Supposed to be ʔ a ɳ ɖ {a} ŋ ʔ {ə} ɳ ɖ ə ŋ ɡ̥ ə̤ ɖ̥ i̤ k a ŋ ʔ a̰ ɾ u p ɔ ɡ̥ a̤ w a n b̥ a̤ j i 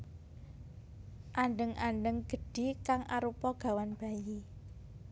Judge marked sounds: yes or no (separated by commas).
no, no